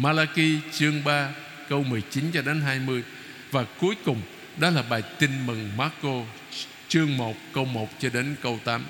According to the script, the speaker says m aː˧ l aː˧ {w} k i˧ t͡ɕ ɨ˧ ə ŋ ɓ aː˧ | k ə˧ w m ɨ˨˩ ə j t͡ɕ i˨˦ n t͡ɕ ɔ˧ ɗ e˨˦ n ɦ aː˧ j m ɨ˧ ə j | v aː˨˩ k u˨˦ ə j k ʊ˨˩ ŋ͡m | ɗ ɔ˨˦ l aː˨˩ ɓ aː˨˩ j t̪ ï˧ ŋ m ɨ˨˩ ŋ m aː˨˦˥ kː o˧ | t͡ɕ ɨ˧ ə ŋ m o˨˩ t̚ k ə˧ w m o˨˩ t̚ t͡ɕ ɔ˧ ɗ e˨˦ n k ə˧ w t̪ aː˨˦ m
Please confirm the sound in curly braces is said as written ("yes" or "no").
no